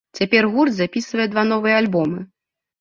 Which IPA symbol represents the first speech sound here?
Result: t͡sʲ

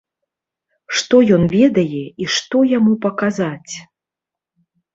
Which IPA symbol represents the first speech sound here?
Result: ʂ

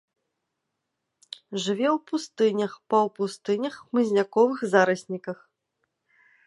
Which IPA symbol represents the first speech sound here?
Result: ʐ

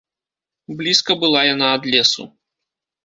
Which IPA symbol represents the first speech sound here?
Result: b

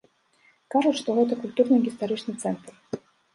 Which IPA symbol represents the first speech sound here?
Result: k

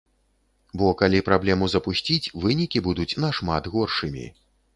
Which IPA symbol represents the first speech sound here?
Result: b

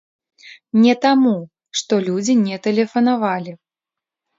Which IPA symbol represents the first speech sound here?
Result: nʲ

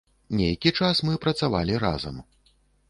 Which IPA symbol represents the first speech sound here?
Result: nʲ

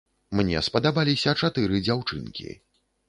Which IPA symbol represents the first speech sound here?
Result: m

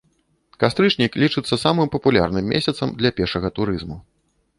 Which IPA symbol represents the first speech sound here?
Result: k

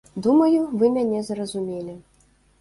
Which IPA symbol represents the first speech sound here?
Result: d̪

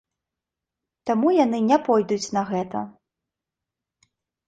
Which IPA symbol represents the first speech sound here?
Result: t̪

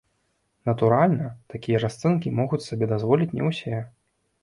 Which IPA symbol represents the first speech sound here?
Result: n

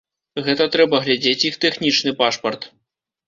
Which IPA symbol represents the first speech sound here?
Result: ɣ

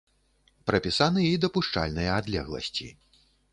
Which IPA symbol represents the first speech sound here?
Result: p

